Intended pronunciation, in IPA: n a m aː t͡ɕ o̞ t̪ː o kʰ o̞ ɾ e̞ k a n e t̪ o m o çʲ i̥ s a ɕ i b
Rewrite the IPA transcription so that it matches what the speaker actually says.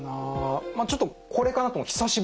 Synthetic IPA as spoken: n a m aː t͡ɕ o̞ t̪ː o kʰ o̞ ɾ e̞ k a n a t̪ o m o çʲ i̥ s a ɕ i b